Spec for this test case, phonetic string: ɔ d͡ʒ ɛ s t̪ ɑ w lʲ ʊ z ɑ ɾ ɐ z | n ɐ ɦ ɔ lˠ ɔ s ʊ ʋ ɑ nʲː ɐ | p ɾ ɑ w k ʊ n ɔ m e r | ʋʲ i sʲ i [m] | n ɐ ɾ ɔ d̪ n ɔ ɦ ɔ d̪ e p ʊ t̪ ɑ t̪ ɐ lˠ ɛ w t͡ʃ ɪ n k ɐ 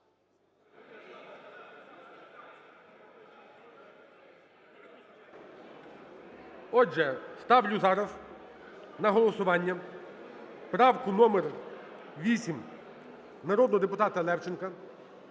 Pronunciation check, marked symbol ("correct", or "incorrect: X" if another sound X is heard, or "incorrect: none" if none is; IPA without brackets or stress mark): correct